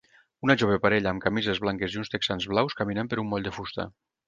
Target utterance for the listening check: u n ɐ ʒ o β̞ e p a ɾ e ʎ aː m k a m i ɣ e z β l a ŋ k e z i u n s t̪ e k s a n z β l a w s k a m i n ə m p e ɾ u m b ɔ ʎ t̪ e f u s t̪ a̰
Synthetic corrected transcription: u n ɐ ʒ o β̞ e p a ɾ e ʎ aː m k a m i z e z β l a ŋ k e z i u n s t̪ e k s a n z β l a w s k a m i n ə m p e ɾ u m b ɔ ʎ d̪ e f u s t̪ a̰